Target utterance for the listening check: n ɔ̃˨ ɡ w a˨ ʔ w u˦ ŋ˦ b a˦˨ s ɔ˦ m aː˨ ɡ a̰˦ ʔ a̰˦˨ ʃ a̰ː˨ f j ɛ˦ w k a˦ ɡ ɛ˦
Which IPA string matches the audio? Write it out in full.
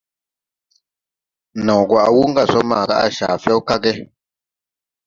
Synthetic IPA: n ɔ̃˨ ɡ w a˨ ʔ w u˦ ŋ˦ ɡ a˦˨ s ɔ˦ m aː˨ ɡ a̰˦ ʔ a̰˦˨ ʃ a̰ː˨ f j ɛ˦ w k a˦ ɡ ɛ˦